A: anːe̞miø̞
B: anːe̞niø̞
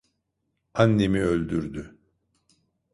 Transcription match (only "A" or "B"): A